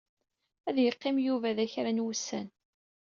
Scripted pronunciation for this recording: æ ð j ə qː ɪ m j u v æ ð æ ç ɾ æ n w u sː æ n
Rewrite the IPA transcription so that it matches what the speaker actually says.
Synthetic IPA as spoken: æ ð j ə qː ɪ m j u v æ ð æ ç ɾ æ n w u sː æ n